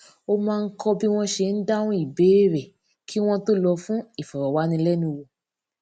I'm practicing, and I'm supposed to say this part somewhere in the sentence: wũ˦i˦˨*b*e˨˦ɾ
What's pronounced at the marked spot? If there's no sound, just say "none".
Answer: b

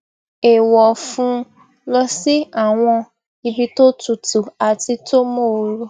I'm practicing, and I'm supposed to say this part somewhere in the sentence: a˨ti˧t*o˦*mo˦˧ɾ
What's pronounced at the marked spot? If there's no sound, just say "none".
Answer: o˦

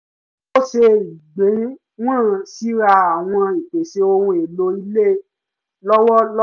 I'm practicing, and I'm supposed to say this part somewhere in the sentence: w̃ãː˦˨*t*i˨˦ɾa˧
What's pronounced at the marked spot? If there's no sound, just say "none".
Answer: s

